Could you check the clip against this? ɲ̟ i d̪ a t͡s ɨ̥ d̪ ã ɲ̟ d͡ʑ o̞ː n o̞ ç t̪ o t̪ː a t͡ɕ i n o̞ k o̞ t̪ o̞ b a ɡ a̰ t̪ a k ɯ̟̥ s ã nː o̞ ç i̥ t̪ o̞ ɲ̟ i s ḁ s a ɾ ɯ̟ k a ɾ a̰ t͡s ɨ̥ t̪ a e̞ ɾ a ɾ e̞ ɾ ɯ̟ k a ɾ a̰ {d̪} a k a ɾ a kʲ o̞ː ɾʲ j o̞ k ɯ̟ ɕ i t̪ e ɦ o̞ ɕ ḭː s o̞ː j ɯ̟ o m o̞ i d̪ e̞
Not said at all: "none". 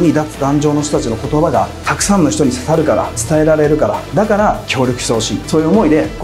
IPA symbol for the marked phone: d̪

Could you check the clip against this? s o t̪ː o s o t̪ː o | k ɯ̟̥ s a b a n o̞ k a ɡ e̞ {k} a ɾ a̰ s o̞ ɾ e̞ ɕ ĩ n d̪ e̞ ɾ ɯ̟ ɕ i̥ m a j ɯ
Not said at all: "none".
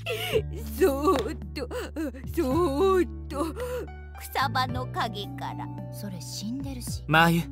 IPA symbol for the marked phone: k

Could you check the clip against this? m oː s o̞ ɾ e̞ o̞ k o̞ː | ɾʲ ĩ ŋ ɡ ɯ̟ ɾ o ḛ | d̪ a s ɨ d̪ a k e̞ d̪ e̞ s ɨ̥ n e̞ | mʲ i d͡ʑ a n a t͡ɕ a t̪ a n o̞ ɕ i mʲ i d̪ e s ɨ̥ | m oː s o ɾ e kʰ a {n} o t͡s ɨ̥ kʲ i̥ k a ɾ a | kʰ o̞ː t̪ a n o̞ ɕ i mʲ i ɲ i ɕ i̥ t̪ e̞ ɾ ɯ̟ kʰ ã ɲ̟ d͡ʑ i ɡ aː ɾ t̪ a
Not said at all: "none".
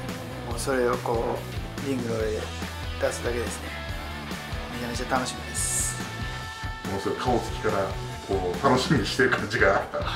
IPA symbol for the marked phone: none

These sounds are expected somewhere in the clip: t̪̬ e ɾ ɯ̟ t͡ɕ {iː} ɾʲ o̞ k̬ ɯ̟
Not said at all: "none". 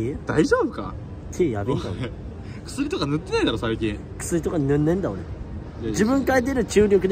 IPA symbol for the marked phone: ɨː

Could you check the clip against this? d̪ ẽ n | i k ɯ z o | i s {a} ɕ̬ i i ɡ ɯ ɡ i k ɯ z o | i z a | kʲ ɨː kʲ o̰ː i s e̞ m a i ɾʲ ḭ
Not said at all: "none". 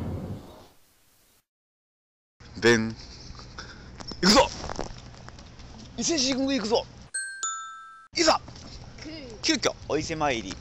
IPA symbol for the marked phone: e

